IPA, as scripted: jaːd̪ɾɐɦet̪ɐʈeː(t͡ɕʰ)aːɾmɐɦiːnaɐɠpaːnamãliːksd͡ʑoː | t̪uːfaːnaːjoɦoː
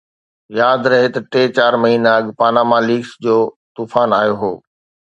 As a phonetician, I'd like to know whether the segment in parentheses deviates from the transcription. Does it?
yes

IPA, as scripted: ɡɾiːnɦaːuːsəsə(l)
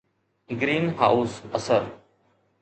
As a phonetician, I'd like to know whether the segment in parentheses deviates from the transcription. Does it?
yes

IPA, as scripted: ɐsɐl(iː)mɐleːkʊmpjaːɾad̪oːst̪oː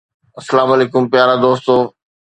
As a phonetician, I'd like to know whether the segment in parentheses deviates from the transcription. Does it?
yes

